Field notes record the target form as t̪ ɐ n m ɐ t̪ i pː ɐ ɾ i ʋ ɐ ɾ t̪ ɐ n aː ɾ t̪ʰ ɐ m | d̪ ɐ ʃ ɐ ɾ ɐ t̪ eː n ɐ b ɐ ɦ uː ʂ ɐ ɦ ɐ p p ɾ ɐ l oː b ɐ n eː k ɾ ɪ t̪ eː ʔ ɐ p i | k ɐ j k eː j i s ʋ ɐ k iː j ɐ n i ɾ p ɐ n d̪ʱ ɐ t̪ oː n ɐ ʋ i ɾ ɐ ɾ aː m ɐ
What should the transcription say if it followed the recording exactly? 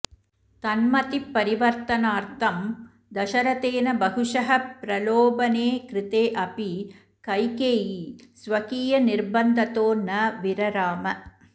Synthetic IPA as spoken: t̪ ɐ n m ɐ t̪ i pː ɐ ɾ i ʋ ɐ ɾ t̪ ɐ n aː ɾ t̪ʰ ɐ m | d̪ ɐ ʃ ɐ ɾ ɐ t̪ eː n ɐ b ɐ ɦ u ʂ ɐ ɦ ɐ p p ɾ ɐ l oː b ɐ n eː k ɾ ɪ t̪ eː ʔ ɐ p i | k ɐ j k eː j i s ʋ ɐ k iː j ɐ n i ɾ b ɐ n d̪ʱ ɐ t̪ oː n ɐ ʋ i ɾ ɐ ɾ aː m ɐ